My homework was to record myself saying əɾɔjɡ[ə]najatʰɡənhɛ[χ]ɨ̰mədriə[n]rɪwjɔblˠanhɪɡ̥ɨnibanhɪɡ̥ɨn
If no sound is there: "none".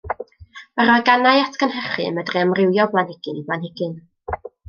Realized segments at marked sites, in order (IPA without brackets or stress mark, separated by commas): a, χ, m